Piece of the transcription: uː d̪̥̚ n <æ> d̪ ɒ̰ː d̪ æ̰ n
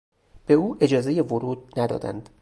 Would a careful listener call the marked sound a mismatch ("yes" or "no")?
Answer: no